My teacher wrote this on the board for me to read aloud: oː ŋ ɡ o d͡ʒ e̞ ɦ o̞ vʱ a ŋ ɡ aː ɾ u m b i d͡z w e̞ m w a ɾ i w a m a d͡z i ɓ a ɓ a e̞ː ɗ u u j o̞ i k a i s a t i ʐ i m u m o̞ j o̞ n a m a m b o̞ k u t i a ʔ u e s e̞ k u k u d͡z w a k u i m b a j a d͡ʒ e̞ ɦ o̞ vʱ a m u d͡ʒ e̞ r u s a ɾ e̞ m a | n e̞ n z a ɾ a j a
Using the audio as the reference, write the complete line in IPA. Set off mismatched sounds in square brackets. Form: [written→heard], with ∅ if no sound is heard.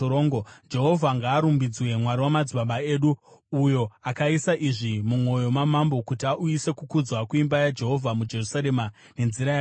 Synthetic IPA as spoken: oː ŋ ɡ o d͡ʒ e̞ ɦ o̞ vʱ a ŋ ɡ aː ɾ u m b i d͡z w e̞ m w a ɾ i w a m a d͡z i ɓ a ɓ a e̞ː ɗ u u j o̞ [i→a] k a i s a [t→ʔ] i ʐ i m u m o̞ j o̞ [n→m] a m a m b o̞ k u t i a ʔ u [e→i] s e̞ k u k u d͡z w a k u i m b a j a d͡ʒ e̞ ɦ o̞ vʱ a m u d͡ʒ e̞ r u s a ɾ e̞ m a | n e̞ n z [a→i] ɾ a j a